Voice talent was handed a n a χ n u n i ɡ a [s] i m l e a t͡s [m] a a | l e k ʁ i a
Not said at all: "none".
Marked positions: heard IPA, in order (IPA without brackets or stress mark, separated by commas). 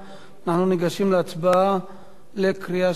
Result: ʃ, b